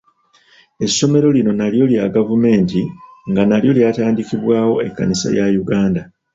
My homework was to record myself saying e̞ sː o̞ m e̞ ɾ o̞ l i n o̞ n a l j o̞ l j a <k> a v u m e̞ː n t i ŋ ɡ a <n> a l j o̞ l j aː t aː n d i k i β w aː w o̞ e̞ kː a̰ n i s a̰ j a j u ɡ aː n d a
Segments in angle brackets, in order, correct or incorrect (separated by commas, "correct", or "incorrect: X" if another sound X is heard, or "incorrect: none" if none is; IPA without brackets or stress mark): incorrect: ɡ, correct